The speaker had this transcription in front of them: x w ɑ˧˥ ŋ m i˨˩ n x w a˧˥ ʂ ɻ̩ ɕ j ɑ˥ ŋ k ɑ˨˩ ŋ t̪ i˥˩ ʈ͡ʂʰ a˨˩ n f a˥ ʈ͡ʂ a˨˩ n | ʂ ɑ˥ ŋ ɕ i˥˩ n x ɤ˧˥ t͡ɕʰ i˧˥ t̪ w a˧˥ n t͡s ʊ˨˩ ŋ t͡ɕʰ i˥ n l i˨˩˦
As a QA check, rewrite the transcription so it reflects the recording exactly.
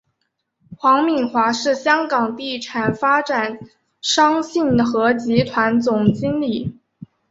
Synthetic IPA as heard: x w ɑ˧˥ ŋ m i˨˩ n x w a˧˥ ʂ ɻ̩ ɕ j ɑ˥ ŋ k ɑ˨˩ ŋ t̪ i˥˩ ʈ͡ʂʰ a˨˩ n f a˥ ʈ͡ʂ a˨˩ n | ʂ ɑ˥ ŋ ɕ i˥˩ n x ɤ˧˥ t͡ɕ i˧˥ t̪ʰ w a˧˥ n t͡s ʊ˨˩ ŋ t͡ɕ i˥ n l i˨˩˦

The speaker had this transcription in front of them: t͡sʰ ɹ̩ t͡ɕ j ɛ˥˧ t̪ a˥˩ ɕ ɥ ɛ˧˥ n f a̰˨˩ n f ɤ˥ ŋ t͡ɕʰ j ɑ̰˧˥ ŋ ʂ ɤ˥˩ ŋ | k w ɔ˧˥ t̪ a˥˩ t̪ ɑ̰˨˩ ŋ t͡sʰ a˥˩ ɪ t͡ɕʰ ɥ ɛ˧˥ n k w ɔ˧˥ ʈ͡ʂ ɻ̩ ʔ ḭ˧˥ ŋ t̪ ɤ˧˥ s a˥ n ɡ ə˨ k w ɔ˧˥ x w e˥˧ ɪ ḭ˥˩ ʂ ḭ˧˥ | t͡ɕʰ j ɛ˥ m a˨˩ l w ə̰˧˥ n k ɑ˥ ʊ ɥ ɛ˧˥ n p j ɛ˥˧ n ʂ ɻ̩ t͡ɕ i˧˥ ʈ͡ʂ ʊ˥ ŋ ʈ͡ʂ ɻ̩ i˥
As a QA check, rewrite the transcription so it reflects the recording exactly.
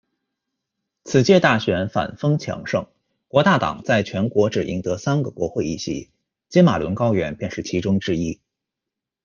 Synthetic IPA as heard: t͡sʰ ɹ̩ t͡ɕ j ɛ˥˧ t̪ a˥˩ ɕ ɥ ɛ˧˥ n f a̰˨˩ n f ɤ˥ ŋ t͡ɕʰ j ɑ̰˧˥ ŋ ʂ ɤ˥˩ ŋ | k w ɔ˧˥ t̪ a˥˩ t̪ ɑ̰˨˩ ŋ t͡s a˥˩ ɪ t͡ɕʰ ɥ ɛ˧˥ n k w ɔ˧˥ ʈ͡ʂ ɻ̩ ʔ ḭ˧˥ ŋ t̪ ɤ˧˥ s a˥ n ɡ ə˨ k w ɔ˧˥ x w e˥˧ ɪ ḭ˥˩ ɕ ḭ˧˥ | t͡ɕ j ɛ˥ m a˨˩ l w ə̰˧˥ n k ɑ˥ ʊ ɥ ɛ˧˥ n p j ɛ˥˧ n ʂ ɻ̩ t͡ɕʰ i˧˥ ʈ͡ʂ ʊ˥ ŋ ʈ͡ʂ ɻ̩ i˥

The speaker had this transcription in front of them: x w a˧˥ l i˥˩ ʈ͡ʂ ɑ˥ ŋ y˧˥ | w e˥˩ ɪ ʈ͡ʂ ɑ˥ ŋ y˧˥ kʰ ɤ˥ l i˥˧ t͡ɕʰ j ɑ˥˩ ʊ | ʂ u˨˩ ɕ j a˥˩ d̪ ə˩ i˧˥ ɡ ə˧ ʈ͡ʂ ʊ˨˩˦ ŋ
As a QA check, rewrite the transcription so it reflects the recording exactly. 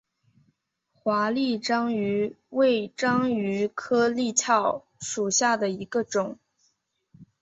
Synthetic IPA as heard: x w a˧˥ l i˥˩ ʈ͡ʂ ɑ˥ ŋ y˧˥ | w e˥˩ ɪ ʈ͡ʂ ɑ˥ ŋ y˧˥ kʰ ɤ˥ l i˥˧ t͡ɕʰ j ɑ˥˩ ʊ | ʂ u˨˩ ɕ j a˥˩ d̪ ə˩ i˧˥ ɡ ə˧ ʈ͡ʂ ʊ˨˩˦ ŋ

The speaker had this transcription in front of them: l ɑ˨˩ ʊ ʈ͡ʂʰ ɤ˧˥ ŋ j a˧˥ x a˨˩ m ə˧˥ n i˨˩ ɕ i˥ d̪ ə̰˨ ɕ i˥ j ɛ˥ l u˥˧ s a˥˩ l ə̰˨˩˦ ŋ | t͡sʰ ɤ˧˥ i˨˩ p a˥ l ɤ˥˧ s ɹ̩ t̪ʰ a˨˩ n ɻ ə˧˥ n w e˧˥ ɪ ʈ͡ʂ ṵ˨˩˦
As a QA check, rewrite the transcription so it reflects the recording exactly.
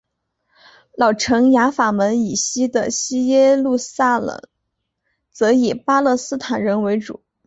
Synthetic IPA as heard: l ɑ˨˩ ʊ ʈ͡ʂʰ ɤ˧˥ ŋ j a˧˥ f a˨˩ m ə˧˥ n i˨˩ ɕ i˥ d̪ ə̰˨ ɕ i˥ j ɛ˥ l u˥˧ s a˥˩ l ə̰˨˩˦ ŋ | t͡s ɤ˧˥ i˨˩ p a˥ l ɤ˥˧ s ɹ̩ t̪ʰ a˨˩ n ɻ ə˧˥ n w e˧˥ ɪ ʈ͡ʂ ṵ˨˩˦

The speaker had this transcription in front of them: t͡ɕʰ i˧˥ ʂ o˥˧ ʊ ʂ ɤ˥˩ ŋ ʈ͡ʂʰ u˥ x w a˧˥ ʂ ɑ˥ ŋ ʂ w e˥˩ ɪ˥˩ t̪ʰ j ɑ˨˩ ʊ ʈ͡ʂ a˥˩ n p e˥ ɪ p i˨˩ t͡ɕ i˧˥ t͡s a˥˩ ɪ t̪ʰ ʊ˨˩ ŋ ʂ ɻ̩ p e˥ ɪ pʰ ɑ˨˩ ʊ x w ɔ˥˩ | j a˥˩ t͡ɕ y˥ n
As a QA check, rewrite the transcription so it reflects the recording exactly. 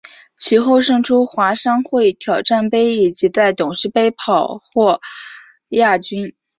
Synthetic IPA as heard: t͡ɕʰ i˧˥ x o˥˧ ʊ ʂ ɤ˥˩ ŋ ʈ͡ʂʰ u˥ x w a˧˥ ʂ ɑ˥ ŋ x w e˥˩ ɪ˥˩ t̪ʰ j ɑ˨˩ ʊ ʈ͡ʂ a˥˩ n p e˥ ɪ i˨˩ t͡ɕ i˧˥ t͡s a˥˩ ɪ t̪ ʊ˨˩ ŋ ʂ ɻ̩ p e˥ ɪ pʰ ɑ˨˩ ʊ x w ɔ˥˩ | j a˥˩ t͡ɕ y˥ n

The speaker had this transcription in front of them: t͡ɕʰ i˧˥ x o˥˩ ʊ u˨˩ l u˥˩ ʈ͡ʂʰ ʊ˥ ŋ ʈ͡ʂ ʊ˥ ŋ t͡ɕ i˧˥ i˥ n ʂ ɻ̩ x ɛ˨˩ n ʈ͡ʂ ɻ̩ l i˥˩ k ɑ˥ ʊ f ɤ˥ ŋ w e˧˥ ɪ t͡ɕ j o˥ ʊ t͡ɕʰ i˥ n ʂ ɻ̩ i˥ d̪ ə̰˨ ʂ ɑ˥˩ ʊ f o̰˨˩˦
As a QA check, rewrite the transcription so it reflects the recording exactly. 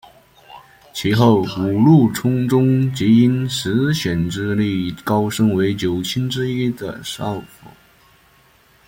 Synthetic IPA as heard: t͡ɕʰ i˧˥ x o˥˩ ʊ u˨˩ l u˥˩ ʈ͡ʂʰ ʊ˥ ŋ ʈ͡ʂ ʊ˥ ŋ t͡ɕ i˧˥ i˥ n ʂ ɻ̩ ɕ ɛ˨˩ n ʈ͡ʂ ɻ̩ l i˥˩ k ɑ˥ ʊ ʂ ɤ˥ ŋ w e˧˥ ɪ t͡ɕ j o˨˩ ʊ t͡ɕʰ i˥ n ʈ͡ʂ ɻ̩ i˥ d̪ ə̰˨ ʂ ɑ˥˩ ʊ f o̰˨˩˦

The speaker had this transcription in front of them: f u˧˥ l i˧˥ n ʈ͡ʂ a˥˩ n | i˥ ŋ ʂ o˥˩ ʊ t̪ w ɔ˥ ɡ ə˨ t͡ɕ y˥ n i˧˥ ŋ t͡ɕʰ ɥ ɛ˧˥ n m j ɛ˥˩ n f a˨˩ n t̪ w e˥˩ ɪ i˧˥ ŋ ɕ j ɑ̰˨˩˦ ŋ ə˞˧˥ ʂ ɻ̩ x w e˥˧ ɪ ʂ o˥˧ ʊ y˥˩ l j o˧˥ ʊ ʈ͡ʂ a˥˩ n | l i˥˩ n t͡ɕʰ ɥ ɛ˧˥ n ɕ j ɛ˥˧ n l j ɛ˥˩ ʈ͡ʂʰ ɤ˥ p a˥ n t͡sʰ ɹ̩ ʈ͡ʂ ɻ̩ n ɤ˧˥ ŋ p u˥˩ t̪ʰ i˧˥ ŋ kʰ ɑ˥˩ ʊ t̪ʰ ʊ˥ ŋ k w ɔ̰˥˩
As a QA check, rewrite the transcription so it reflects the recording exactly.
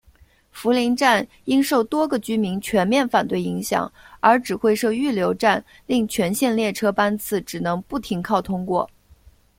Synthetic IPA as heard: f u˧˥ l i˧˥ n ʈ͡ʂ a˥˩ n | i˥ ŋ ʂ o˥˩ ʊ t̪ w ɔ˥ ɡ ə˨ t͡ɕ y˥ m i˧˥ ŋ t͡ɕʰ ɥ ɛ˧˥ n m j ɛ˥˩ n f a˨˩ n t̪ w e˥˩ ɪ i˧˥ ŋ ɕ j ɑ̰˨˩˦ ŋ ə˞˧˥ ʈ͡ʂ ɻ̩ x w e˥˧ ɪ ʂ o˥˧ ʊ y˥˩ l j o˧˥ ʊ ʈ͡ʂ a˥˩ n | l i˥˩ ŋ t͡ɕʰ ɥ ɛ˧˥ n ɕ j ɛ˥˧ n l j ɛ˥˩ ʈ͡ʂʰ ɤ˥ p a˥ n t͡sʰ ɹ̩ ʈ͡ʂ ɻ̩ n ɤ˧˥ ŋ p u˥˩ t̪ʰ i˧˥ ŋ kʰ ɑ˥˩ ʊ t̪ʰ ʊ˥ ŋ k w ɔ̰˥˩

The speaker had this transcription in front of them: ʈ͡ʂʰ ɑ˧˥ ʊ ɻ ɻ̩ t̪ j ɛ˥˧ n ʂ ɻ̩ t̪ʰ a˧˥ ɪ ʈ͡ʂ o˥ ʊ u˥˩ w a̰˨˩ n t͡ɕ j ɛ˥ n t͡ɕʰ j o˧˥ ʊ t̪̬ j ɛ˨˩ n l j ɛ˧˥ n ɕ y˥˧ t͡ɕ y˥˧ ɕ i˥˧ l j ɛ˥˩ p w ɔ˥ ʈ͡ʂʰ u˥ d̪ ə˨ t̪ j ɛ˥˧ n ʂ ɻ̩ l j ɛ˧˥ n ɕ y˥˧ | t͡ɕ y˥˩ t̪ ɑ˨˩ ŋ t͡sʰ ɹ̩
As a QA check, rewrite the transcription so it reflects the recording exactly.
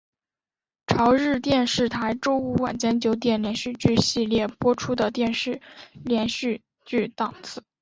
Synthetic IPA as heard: ʈ͡ʂʰ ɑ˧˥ ʊ ɻ ɻ̩ t̪ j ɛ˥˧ n ʂ ɻ̩ t̪ʰ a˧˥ ɪ ʈ͡ʂ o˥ ʊ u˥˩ w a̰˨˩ n t͡ɕ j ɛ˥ n t͡ɕ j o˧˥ ʊ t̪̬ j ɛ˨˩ n l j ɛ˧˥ n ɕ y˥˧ t͡ɕ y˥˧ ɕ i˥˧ l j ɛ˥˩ p w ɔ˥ ʈ͡ʂʰ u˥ d̪ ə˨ t̪ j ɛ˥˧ n ʂ ɻ̩ l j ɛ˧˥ n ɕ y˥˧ | t͡ɕ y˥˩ t̪ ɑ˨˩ ŋ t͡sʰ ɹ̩

